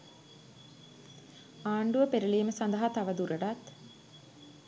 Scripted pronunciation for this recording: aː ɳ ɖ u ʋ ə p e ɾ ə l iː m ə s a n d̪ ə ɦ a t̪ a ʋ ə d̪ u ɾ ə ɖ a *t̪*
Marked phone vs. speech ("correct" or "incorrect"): correct